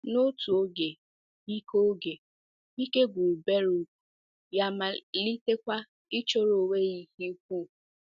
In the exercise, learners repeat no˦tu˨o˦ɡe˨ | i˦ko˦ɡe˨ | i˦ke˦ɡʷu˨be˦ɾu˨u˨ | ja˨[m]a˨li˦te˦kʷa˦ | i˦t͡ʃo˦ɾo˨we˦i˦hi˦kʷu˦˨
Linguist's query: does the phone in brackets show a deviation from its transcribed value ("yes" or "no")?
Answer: no